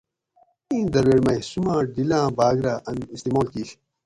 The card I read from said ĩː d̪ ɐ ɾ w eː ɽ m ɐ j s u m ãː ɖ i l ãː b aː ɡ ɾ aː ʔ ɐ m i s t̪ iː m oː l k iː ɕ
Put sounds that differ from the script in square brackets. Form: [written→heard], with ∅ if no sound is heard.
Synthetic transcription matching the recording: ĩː d̪ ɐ ɾ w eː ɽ m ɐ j s u m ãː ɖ i l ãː b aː ɡ ɾ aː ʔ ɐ [m→n] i s t̪ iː m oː l k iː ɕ